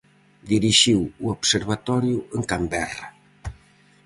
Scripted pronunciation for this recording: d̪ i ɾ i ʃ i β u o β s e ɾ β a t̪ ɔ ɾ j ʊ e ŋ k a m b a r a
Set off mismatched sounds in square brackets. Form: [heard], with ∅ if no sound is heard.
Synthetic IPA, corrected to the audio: d̪ i ɾ i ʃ i [w] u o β s e ɾ β a t̪ ɔ ɾ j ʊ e ŋ k a m b [ɛ] r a